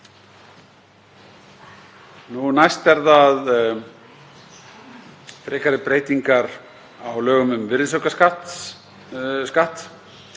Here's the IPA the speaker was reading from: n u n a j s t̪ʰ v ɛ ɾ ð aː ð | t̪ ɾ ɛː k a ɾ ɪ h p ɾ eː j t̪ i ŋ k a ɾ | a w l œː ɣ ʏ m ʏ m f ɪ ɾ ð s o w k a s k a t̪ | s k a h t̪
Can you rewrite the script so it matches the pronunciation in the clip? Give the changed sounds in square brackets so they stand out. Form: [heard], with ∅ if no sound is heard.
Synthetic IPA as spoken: n u n a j s [t̪] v ɛ ɾ ð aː ð | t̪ ɾ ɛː k a ɾ ɪ [∅] p ɾ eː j t̪ i ŋ k a ɾ | a w l œː ɣ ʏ m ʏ m [v] ɪ ɾ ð s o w k a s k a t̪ | s k a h t̪

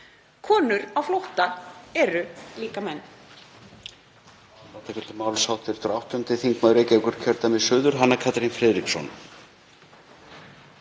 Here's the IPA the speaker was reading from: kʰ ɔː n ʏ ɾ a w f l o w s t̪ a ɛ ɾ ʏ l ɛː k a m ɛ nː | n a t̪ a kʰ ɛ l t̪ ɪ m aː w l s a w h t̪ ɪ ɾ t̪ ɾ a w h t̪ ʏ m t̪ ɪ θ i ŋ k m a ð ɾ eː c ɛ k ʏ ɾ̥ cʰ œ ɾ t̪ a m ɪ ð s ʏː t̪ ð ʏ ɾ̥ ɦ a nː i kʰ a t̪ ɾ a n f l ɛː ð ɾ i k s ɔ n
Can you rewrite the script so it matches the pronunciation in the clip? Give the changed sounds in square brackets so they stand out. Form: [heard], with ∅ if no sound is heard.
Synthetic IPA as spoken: kʰ ɔː n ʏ ɾ a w f l o w [h] t̪ a ɛ ɾ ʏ l [iː] k a m ɛ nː | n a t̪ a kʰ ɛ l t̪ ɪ m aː w l s a w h t̪ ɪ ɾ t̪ ɾ a w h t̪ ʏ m t̪ ɪ θ i ŋ k m a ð ɾ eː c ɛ k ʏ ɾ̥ cʰ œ ɾ t̪ a m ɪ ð s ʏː [∅] ð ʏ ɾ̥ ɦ a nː [a] kʰ a t̪ ɾ [i] n f [ɾ] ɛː ð ɾ i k s ɔ n

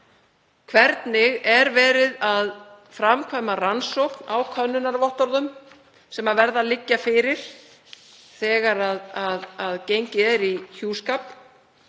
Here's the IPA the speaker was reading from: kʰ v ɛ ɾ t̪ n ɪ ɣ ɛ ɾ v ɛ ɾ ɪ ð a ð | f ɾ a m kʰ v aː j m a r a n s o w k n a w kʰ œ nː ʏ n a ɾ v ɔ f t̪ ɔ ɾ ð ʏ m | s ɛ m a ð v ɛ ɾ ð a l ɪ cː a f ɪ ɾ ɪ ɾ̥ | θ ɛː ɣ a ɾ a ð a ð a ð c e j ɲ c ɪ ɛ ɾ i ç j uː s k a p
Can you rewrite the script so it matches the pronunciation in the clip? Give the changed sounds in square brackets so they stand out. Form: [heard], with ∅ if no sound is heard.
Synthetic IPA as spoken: kʰ v ɛ ɾ t̪ n ɪ ɣ ɛ ɾ v [ɛː] ɾ ɪ ð a ð | f ɾ a m kʰ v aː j m a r a n s o w k n a w kʰ œ nː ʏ n a ɾ v ɔ [h] t̪ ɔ ɾ ð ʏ m | s ɛ m a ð v ɛ ɾ ð a l ɪ cː a f ɪ ɾ ɪ ɾ̥ | θ ɛː ɣ a ɾ a ð a ð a ð c e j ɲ c ɪ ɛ ɾ i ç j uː s k a p

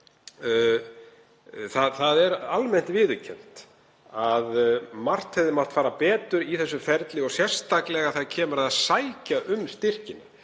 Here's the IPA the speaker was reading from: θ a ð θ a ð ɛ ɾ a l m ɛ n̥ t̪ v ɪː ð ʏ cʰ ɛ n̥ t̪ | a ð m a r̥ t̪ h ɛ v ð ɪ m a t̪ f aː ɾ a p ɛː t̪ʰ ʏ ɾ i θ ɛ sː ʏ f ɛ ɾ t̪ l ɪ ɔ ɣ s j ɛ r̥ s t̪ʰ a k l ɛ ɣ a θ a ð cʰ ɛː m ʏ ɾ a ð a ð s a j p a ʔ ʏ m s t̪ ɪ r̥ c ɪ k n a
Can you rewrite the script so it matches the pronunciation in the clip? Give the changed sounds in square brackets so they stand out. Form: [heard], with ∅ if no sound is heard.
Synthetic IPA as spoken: θ a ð θ a ð ɛ ɾ a l m ɛ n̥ t̪ v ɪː ð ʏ cʰ ɛ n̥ t̪ | a ð m a r̥ t̪ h ɛ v ð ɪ m a t̪ f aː ɾ a p ɛː [t̪] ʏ ɾ i θ ɛ sː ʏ f ɛ ɾ t̪ l ɪ ɔ ɣ s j ɛ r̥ s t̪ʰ a k l ɛ ɣ a θ a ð cʰ ɛː m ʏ ɾ a ð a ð s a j [c] a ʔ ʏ m s t̪ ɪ r̥ c ɪ [∅] n a

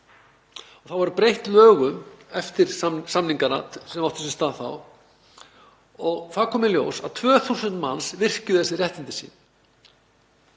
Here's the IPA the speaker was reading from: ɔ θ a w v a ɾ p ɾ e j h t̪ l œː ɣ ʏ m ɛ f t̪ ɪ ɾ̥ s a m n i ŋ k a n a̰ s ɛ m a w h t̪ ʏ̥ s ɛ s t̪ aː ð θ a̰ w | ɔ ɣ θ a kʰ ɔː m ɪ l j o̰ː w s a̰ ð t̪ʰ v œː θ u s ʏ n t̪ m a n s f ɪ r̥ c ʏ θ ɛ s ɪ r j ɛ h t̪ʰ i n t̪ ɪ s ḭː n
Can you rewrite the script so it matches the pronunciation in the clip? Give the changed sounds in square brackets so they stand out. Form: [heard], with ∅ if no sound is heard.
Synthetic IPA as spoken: ɔ θ a w v a ɾ p ɾ e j h t̪ l œː ɣ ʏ m ɛ f t̪ ɪ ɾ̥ s a m n i ŋ k a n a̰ s ɛ m a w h t̪ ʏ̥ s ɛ s t̪ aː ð θ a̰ w | ɔ ɣ θ a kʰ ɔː m ɪ l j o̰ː w s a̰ ð t̪ʰ v œː θ u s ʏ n t̪ m a n s [v] ɪ r̥ c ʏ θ ɛ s ɪ r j ɛ h [t̪] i n t̪ ɪ s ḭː n

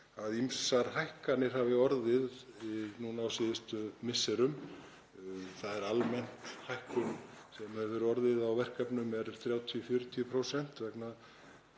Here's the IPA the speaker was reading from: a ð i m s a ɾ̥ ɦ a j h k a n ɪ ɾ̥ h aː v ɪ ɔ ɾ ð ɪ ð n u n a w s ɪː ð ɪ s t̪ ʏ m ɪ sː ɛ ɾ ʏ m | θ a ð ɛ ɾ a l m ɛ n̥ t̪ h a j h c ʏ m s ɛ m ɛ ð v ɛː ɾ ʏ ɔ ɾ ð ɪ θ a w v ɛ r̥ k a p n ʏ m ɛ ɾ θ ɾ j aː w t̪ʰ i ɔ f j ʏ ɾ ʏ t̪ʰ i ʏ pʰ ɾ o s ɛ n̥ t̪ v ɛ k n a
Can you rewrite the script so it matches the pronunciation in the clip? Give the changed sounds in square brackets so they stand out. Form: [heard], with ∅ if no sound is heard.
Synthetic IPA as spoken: a ð i m s a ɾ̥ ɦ a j h k a n ɪ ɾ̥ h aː v ɪ ɔ ɾ ð ɪ ð n u n a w s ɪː ð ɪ s t̪ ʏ m ɪ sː ɛ ɾ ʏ m | θ a ð ɛ ɾ a l m ɛ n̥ t̪ h a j h [k] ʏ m s ɛ m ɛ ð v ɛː ɾ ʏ ɔ ɾ ð ɪ [ð] a w v ɛ r̥ k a p n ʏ m ɛ ɾ θ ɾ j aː w t̪ʰ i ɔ f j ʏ ɾ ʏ t̪ʰ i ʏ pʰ ɾ o s ɛ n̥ t̪ v ɛ k n a

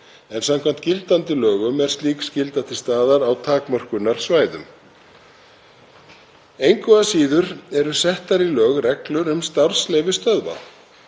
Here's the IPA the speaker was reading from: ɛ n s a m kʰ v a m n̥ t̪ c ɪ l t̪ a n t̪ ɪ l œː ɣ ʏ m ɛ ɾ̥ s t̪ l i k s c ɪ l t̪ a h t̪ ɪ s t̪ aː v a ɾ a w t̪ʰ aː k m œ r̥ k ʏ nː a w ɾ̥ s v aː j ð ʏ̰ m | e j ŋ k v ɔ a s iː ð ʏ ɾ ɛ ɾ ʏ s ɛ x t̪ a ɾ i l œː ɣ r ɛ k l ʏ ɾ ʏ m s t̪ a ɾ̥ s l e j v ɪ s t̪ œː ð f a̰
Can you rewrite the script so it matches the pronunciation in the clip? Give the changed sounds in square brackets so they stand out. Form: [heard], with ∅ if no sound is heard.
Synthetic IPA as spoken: ɛ n s a m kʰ v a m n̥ t̪ c ɪ l t̪ a n t̪ ɪ l œː ɣ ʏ m ɛ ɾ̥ s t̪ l [iː] k s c ɪ l t̪ a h t̪ ɪ s t̪ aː [ð] a ɾ a w t̪ʰ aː k m œ r̥ k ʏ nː a [∅] ɾ̥ s v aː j ð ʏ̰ m | e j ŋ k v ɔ a s iː ð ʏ ɾ ɛ ɾ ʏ s ɛ [h] t̪ a ɾ i l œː ɣ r ɛ k l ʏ ɾ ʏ m s t̪ a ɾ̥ s l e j v ɪ s t̪ [œ] ð [v] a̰

